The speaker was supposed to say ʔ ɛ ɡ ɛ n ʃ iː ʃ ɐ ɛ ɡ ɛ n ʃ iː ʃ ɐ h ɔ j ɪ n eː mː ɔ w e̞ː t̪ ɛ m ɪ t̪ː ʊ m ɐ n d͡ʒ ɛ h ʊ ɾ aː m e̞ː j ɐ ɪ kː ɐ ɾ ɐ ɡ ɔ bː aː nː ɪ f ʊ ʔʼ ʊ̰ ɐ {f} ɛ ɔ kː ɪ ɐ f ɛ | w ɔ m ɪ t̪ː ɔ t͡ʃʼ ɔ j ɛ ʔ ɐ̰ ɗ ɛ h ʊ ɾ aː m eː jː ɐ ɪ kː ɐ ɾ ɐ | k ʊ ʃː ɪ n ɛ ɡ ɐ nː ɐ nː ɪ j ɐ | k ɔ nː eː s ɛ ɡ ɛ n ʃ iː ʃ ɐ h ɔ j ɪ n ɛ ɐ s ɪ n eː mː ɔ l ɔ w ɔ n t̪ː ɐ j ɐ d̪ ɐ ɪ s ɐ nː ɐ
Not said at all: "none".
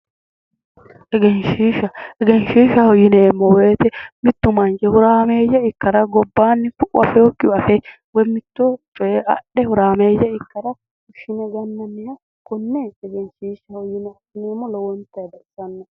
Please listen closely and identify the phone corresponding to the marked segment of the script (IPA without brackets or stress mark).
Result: f